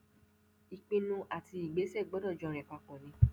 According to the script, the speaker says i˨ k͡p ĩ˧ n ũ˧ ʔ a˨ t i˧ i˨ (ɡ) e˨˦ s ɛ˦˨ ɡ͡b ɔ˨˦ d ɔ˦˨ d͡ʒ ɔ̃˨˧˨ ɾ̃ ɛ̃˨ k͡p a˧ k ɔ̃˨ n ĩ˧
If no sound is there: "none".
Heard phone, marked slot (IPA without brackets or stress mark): ɡ͡b